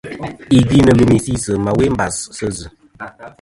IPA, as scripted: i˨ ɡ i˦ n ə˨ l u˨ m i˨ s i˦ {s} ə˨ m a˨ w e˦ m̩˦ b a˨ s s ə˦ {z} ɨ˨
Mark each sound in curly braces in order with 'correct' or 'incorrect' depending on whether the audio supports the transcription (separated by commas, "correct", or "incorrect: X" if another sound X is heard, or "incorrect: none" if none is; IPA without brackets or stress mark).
correct, correct